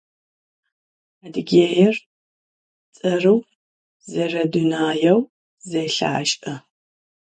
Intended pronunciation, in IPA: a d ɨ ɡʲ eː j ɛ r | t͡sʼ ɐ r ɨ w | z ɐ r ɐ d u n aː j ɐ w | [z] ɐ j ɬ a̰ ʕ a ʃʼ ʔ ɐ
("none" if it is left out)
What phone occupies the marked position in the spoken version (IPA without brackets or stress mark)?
z